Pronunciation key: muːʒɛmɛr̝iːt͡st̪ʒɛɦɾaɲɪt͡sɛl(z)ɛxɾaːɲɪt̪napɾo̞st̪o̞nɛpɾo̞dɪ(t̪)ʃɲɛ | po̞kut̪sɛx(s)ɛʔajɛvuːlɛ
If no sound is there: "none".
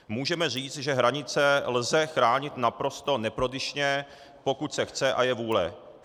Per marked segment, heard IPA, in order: z, none, t͡s

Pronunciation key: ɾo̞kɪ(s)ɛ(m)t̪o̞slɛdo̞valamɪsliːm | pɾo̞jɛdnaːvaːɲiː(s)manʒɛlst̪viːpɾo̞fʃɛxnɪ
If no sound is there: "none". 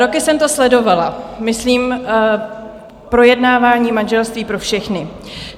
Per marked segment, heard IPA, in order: s, m, none

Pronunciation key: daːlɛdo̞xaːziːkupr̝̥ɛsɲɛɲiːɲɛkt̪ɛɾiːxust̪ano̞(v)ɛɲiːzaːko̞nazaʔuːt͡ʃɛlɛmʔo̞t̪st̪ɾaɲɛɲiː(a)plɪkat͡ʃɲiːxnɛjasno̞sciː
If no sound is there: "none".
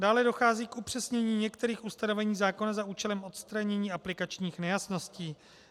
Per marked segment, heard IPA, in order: v, a

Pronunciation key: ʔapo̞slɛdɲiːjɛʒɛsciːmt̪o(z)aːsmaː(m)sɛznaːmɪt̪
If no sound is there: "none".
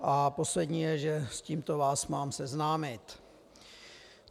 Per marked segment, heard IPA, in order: v, m

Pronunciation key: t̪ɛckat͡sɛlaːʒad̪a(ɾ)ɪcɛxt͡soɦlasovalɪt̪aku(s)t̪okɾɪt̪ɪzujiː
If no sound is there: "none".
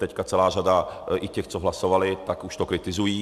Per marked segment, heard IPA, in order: none, ʃ

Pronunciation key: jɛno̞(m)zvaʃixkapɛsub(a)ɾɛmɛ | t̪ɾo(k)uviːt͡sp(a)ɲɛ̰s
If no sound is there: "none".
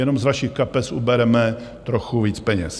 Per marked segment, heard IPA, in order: m, ɛ, x, ɛ

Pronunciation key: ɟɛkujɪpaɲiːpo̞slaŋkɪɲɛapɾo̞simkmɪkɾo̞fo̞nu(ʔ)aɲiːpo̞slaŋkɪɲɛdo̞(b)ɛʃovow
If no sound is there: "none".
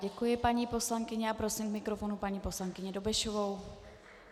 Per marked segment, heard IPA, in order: p, b

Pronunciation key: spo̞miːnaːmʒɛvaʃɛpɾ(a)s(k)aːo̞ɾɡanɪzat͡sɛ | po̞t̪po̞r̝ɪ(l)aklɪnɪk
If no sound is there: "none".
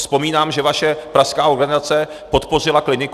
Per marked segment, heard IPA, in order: a, k, l

